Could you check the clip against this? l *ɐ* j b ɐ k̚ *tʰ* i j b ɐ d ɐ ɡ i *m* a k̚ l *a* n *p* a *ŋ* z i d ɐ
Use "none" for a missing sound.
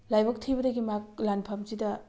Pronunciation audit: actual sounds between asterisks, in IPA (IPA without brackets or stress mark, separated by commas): a, tʰ, m, a, pʰ, m